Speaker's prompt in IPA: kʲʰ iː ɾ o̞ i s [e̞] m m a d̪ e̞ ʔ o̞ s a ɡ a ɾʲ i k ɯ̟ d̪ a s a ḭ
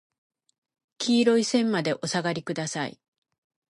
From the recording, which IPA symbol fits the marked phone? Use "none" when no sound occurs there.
ẽ̞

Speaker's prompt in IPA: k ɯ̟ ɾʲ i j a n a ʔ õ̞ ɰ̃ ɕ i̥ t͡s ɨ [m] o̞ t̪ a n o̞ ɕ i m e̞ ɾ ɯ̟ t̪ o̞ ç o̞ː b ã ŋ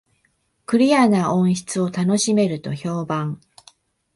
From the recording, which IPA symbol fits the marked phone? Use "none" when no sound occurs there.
none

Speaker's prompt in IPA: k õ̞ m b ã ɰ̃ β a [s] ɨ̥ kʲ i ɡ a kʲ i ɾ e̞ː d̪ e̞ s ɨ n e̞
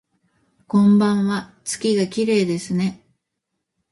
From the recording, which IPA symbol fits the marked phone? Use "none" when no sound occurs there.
t͡s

